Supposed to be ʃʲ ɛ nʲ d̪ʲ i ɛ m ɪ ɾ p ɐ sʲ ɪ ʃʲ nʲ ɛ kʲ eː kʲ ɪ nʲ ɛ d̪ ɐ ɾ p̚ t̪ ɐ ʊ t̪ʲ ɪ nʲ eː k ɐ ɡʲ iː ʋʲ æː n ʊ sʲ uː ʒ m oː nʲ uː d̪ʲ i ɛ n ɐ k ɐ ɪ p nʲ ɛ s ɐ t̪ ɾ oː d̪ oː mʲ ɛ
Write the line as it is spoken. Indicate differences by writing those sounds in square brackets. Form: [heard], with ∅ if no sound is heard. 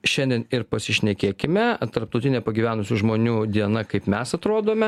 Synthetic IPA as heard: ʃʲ ɛ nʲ d̪ʲ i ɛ [n] ɪ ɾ p ɐ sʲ ɪ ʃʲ nʲ ɛ kʲ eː kʲ ɪ [mʲ] ɛ [t̪] ɐ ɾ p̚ t̪ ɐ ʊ t̪ʲ ɪ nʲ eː [p] ɐ ɡʲ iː ʋʲ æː n ʊ sʲ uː ʒ m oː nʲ uː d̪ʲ i ɛ n ɐ k ɐ ɪ p [mʲ] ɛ s ɐ t̪ ɾ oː d̪ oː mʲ ɛ